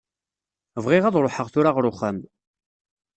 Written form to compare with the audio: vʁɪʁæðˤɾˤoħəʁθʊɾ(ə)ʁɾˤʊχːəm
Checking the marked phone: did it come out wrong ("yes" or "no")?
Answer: yes